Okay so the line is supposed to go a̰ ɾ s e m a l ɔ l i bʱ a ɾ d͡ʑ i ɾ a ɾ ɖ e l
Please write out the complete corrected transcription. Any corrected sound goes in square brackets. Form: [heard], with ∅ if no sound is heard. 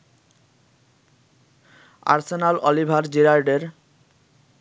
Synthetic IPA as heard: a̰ ɾ s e [n] a l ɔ l i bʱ a ɾ d͡ʑ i ɾ a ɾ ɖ e [ɾ]